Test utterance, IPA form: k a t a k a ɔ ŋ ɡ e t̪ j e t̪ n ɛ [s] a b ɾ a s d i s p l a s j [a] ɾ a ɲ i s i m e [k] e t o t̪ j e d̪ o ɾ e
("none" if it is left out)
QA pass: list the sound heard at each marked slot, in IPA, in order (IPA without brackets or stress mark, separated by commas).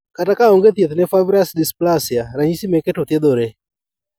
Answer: f, a, k